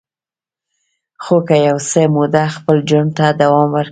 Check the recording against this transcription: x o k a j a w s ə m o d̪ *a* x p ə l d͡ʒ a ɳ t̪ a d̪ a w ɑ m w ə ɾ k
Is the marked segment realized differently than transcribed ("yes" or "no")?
no